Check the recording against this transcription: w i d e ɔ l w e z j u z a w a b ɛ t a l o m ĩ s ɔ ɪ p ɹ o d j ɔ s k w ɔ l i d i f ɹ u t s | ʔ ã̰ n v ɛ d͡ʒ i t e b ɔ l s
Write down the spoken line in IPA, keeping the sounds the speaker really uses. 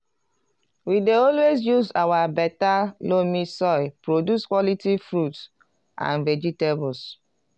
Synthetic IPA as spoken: w i d e ɔ l w e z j u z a w a b ɛ t a l o m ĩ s ɔ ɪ p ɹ o d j u s k w ɔ l i t i f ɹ u t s | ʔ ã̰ n v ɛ d͡ʒ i t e b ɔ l s